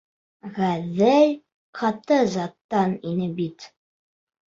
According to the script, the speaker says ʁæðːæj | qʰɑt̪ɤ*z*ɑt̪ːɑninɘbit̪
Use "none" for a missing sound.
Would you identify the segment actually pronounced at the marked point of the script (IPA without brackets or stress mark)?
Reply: z